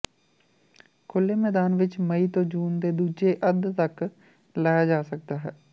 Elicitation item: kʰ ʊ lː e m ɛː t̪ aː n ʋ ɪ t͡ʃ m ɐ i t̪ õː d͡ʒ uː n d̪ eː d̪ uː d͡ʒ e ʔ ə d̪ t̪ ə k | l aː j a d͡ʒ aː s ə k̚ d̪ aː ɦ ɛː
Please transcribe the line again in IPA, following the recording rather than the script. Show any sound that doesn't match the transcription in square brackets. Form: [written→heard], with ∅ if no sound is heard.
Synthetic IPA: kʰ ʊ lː e m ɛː [t̪→d̪] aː n ʋ ɪ t͡ʃ m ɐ i t̪ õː d͡ʒ uː n d̪ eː d̪ uː d͡ʒ e ʔ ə d̪ t̪ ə k | l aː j a d͡ʒ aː s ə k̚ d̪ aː ɦ ɛː